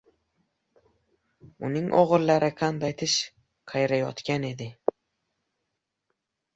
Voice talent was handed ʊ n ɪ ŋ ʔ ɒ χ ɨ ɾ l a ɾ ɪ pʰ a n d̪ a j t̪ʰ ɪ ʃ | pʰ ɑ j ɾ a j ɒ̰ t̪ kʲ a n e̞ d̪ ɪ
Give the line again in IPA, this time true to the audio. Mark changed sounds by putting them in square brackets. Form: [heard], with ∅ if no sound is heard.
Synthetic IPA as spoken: ʊ n ɪ ŋ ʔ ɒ [ʁ] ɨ ɾ l a ɾ ɪ [qʰ] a n d̪ a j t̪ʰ ɪ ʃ | [qʰ] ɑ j ɾ a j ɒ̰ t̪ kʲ a n e̞ d̪ ɪ